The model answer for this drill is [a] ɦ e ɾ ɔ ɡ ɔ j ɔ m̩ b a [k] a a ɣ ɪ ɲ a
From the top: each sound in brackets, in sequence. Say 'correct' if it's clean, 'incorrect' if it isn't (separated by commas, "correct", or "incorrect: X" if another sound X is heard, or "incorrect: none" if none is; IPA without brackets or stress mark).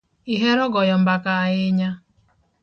incorrect: i, correct